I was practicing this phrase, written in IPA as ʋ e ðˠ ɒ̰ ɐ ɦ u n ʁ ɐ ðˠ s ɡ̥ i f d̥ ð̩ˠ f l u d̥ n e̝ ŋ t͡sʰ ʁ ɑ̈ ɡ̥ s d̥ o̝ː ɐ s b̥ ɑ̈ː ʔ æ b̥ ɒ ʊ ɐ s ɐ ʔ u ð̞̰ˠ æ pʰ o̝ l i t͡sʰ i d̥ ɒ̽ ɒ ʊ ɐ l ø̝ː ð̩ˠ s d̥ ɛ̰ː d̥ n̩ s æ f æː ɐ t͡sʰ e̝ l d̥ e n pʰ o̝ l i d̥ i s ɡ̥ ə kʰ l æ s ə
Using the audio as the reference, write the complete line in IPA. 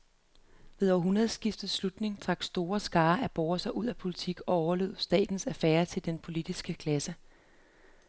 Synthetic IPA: ʋ e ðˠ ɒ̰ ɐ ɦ u n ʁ ɐ ðˠ s ɡ̥ i f d̥ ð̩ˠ s l u d̥ n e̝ ŋ t͡sʰ ʁ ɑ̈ ɡ̥ s d̥ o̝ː ɐ s ɡ̥ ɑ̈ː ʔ æ b̥ ɒ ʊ ɐ s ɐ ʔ u ð̞̰ˠ æ pʰ o̝ l i t͡sʰ i ɡ̥ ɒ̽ ɒ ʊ ɐ l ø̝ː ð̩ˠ s d̥ ɛ̰ː d̥ n̩ s æ f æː ɐ t͡sʰ e̝ l d̥ e n pʰ o̝ l i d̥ i s ɡ̥ ə kʰ l æ s ə

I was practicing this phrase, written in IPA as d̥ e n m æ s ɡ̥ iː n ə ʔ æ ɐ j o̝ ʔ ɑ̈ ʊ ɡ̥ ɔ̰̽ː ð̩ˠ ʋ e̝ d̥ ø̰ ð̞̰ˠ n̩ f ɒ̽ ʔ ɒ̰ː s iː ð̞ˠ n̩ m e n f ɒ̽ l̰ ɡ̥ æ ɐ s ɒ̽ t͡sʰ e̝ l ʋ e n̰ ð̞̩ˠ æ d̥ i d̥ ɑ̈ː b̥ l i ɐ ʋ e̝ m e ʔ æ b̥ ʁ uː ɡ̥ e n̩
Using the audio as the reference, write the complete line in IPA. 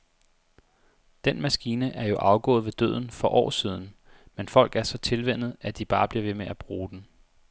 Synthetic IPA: d̥ e n m æ s ɡ̥ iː n ə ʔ æ ɐ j o̝ ʔ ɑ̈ ʊ ɡ̥ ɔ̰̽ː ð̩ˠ ʋ e̝ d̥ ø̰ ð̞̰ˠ n̩ f ɒ̽ ʔ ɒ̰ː s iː ð̞ˠ n̩ m e n f ɒ̽ l̰ ɡ̥ æ ɐ s ɒ̽ t͡sʰ e̝ l ʋ e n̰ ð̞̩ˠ æ d̥ i b̥ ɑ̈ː b̥ l i ɐ ʋ e̝ m e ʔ æ b̥ ʁ uː d̥ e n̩

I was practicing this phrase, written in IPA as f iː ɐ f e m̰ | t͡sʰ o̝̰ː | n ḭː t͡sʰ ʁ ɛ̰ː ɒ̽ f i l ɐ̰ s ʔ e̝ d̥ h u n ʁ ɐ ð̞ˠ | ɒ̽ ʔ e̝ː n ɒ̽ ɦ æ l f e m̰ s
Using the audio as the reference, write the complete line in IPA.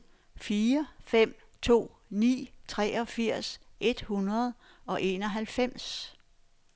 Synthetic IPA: f iː ɐ f e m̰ | t͡sʰ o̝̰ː | n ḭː t͡sʰ ʁ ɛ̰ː ɒ̽ f i ɐ̰ s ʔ e̝ d̥ h u n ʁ ɐ ð̞ˠ | ɒ̽ ʔ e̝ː n ɒ̽ ɦ æ l f e m̰ s

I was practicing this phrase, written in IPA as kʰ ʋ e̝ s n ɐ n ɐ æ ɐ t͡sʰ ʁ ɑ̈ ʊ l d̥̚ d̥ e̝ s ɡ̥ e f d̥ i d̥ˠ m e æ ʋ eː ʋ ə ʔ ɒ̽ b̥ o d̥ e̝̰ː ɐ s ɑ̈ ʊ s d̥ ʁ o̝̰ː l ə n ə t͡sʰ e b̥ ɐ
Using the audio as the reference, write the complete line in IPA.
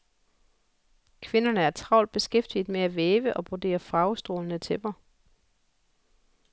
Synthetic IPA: kʰ ʋ e̝ n ɐ n ə æ ɐ t͡sʰ ʁ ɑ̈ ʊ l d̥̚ b̥ e̝ s ɡ̥ e f d̥ i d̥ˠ m e æ ʋ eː ʋ ə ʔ ɒ̽ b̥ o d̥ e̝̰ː ɐ f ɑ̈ ʊ s d̥ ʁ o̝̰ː l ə n ə t͡sʰ e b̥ ɐ

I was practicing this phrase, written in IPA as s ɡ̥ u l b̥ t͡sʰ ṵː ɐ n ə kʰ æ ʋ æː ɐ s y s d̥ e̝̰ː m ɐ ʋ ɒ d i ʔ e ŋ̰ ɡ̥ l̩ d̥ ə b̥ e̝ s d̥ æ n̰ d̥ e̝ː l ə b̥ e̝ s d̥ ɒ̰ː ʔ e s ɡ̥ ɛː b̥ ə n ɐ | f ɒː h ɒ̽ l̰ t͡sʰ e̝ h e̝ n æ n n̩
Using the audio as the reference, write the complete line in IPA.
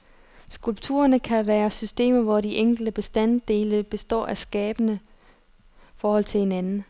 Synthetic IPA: s ɡ̥ u l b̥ t͡sʰ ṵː ɐ n ə kʰ æ ʋ æː ɐ s y s d̥ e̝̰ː m ɐ ʋ ɒ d i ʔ e ŋ̰ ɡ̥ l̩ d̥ ə b̥ e̝ s d̥ æ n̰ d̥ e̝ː l ə b̥ e̝ s d̥ ɒ̰ː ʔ æ s ɡ̥ ɛː b̥ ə n ə | f ɒː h ɒ̽ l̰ t͡sʰ e̝ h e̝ n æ n n̩

